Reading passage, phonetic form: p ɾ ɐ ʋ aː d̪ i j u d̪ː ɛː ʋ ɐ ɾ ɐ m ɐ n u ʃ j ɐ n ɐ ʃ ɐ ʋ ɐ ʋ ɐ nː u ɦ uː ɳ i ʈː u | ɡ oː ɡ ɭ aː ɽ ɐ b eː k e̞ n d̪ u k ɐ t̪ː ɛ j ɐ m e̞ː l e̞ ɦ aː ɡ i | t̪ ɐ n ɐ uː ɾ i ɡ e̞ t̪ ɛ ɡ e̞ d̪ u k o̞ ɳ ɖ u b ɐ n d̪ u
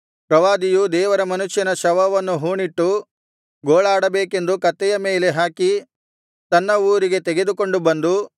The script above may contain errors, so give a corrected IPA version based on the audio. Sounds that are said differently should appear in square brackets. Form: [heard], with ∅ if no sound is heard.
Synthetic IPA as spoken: p ɾ ɐ ʋ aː d̪ i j u [d̪] ɛː ʋ ɐ ɾ ɐ m ɐ n u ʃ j ɐ n ɐ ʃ ɐ ʋ ɐ ʋ ɐ nː u ɦ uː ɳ i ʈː u | ɡ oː [∅] ɭ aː ɽ ɐ b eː k e̞ n d̪ u k ɐ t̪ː ɛ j ɐ m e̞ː l e̞ ɦ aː [k] i | t̪ ɐ [nː] ɐ uː ɾ i ɡ e̞ t̪ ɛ ɡ e̞ d̪ u k o̞ ɳ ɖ u b ɐ n d̪ u

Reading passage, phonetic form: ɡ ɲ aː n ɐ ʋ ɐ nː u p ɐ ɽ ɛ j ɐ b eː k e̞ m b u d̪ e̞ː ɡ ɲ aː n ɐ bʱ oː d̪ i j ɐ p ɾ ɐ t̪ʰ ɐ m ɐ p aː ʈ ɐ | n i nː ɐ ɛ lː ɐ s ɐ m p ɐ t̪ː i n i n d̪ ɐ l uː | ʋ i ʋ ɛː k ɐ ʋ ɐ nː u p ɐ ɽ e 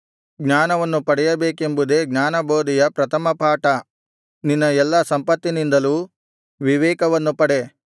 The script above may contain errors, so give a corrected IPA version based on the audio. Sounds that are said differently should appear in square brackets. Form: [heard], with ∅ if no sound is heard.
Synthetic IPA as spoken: ɡ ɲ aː n ɐ ʋ ɐ nː u p ɐ ɽ ɛ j ɐ b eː k e̞ m b u d̪ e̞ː ɡ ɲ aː n ɐ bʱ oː d̪ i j ɐ p ɾ ɐ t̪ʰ ɐ m ɐ p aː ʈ ɐ | n i nː ɐ ɛ lː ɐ s ɐ m p ɐ t̪ː i n i n d̪ ɐ l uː | ʋ i ʋ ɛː k ɐ ʋ ɐ nː u p ɐ ɽ e

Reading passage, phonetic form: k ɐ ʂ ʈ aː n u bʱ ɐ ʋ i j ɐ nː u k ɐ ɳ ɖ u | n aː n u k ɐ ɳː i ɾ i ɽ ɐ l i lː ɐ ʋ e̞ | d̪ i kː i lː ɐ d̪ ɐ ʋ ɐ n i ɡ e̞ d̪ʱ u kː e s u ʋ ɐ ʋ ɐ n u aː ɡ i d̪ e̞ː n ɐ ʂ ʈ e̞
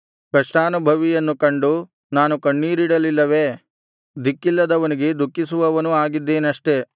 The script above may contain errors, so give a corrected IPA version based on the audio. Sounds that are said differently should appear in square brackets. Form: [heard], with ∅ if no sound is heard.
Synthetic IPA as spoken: k ɐ ʂ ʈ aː n u bʱ ɐ ʋ i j ɐ nː u k ɐ ɳ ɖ u | n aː n u k ɐ ɳː [iː] ɾ i ɽ ɐ l i lː ɐ ʋ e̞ | d̪ i kː i lː ɐ d̪ ɐ ʋ ɐ n i ɡ e̞ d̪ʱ u kː [i] s u ʋ ɐ ʋ ɐ n u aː ɡ i [d̪ː] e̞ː n ɐ ʂ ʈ e̞

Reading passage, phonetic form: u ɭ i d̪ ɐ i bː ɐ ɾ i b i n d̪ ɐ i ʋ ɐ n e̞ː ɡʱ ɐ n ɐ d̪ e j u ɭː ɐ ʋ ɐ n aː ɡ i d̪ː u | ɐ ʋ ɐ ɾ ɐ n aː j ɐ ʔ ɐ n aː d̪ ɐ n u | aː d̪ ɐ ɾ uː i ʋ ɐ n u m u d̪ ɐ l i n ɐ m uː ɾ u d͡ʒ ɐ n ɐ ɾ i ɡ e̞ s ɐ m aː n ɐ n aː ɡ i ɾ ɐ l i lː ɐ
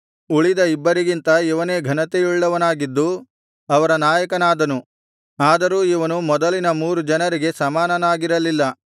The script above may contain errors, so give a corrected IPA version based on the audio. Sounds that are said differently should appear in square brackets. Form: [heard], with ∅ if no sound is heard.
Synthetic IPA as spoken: u ɭ i d̪ ɐ i bː ɐ ɾ i [ɡ] i n [t̪] ɐ i ʋ ɐ n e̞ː ɡʱ ɐ n ɐ [t̪] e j u ɭː ɐ ʋ ɐ n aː ɡ i d̪ː u | ɐ ʋ ɐ ɾ ɐ n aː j ɐ [k] ɐ n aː d̪ ɐ n u | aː d̪ ɐ ɾ uː i ʋ ɐ n u m [ɔ] d̪ ɐ l i n ɐ m uː ɾ u d͡ʒ ɐ n ɐ ɾ i ɡ e̞ s ɐ m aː n ɐ n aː ɡ i ɾ ɐ l i lː ɐ

